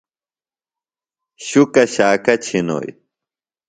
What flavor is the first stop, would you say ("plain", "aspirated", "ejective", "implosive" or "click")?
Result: plain